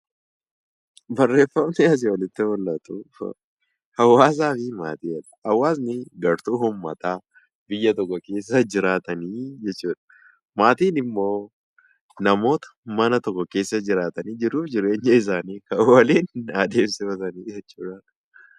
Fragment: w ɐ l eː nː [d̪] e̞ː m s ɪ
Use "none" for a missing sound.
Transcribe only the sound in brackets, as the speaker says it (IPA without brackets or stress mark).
d̪